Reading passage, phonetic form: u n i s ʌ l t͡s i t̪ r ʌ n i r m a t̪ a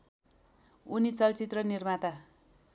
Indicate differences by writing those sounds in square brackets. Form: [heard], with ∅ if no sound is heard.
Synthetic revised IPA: u n i [t͡s] ʌ l t͡s i t̪ r ʌ n i r m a t̪ a